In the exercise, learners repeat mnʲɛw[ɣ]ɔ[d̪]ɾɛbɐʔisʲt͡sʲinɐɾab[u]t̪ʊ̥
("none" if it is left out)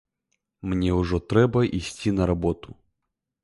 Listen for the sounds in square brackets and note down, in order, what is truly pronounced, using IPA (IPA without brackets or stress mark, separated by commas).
ʐ, t̪, ɔ